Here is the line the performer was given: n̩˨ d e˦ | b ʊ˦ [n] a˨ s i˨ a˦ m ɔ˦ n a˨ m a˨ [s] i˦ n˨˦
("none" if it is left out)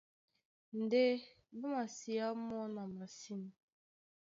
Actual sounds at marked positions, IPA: m, s

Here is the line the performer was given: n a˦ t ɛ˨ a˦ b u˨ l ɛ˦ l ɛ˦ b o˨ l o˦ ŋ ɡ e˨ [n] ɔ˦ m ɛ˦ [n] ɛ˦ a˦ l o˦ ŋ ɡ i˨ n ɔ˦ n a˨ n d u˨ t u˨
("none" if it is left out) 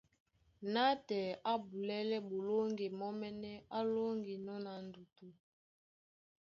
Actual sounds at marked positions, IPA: m, n

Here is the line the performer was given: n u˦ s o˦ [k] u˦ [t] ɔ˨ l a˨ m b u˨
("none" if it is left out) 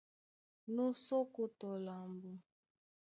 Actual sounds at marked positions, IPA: k, t

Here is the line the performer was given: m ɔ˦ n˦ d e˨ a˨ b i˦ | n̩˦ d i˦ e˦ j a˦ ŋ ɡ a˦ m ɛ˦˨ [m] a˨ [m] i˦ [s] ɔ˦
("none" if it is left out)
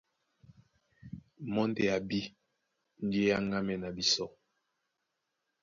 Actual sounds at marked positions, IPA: n, b, s

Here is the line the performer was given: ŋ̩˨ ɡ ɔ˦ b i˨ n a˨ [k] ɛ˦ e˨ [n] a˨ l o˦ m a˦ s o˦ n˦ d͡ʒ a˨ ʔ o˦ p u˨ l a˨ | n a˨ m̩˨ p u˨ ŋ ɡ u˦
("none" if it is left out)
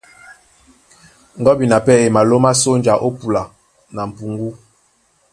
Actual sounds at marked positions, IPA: p, m

